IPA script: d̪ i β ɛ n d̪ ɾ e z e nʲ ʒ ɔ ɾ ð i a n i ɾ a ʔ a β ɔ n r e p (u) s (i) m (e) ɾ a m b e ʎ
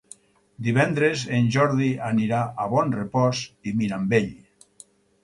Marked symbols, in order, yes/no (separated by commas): no, yes, no